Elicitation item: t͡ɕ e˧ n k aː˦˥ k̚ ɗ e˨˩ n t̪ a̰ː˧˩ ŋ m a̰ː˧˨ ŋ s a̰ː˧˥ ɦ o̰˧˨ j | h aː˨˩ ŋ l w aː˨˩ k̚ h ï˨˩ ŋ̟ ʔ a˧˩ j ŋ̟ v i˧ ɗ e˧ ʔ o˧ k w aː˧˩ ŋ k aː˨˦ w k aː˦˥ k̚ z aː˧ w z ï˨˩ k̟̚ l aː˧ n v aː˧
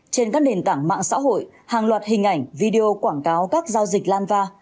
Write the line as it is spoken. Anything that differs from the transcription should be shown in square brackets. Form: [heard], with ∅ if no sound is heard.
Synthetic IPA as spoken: t͡ɕ e˧ n k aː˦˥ k̚ ɗ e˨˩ n t̪ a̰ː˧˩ ŋ m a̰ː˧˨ ŋ s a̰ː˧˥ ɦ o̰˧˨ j | h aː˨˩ ŋ l w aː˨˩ [t̚] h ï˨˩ ŋ̟ ʔ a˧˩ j ŋ̟ v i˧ ɗ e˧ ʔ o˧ k w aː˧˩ ŋ k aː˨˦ w k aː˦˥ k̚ z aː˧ w z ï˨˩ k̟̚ l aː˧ n v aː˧

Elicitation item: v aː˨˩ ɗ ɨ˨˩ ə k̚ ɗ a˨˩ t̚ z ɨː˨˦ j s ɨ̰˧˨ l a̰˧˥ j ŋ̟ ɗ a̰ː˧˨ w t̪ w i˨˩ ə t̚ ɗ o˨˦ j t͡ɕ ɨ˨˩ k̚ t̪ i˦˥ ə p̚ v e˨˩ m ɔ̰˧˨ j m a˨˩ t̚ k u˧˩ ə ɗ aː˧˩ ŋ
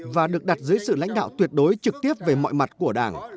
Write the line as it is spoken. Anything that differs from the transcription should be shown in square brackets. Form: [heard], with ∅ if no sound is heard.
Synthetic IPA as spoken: v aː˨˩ ɗ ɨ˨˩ ə k̚ ɗ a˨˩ t̚ z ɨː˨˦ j s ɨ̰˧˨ l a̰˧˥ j ŋ̟ ɗ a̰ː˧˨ w t̪ w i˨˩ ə t̚ ɗ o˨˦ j t͡ɕ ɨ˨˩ k̚ t̪ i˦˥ ə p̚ v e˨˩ m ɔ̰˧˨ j m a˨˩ t̚ k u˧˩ ə ɗ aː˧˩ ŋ

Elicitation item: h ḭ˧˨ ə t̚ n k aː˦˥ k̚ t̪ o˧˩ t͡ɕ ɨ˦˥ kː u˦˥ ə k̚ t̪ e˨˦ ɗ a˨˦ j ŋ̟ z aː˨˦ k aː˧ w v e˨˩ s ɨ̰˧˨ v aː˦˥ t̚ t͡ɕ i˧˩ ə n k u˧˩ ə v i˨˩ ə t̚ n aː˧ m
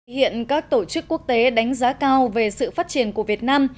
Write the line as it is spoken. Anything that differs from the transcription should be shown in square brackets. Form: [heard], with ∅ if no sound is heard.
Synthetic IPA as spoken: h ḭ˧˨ ə [∅] n k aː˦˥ k̚ t̪ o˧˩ t͡ɕ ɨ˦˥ kː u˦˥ ə k̚ t̪ e˨˦ ɗ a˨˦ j ŋ̟ z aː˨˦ k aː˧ w v e˨˩ s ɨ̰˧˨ [f] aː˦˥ t̚ t͡ɕ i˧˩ ə n k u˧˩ ə v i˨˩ ə t̚ n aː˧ m

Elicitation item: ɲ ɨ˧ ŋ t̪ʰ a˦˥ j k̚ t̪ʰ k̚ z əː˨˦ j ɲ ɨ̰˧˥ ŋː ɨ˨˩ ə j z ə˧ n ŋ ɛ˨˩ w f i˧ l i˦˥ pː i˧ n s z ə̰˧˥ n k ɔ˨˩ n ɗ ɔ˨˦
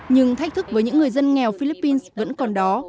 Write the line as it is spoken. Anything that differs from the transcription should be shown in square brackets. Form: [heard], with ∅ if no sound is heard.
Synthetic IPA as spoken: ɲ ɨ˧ ŋ t̪ʰ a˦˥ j k̚ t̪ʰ k̚ [v] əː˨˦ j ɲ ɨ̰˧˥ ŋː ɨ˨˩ ə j z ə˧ n ŋ ɛ˨˩ w f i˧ l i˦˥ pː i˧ n s [v] ə̰˧˥ n k ɔ˨˩ n ɗ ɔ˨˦

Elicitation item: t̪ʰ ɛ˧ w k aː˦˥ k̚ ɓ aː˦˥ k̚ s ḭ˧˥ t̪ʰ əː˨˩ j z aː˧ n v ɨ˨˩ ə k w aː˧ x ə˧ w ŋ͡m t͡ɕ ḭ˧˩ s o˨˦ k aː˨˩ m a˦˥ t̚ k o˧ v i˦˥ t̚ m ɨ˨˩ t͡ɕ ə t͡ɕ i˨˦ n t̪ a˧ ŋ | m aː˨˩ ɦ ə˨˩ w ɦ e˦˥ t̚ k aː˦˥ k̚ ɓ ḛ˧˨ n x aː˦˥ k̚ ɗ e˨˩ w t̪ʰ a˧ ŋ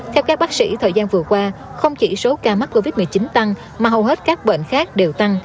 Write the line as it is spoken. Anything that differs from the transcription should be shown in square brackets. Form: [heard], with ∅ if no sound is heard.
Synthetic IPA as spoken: t̪ʰ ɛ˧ w k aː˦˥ k̚ ɓ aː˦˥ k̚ s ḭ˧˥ t̪ʰ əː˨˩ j z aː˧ n v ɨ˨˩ ə k w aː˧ x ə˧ w ŋ͡m t͡ɕ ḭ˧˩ s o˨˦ k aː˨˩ m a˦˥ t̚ k o˧ v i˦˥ t̚ m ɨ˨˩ [∅] ə t͡ɕ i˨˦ n t̪ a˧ ŋ | m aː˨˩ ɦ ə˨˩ w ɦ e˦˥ t̚ k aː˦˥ k̚ ɓ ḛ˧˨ n x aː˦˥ k̚ ɗ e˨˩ w [t̪] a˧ ŋ

